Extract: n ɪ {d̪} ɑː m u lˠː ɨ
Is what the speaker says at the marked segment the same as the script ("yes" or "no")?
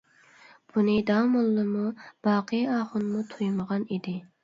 yes